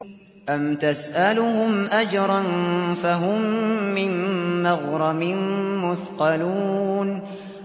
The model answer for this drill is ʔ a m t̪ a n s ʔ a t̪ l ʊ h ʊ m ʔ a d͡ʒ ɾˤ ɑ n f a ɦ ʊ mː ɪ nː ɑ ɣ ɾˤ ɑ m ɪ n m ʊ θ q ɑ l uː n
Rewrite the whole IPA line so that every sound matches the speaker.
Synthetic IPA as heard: ʔ a m t̪ a s ʔ a l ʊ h ʊ m ʔ a d͡ʒ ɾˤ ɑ n f a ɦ ʊ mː ɪ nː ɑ ɣ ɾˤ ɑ m ɪ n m ʊ θ q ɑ l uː n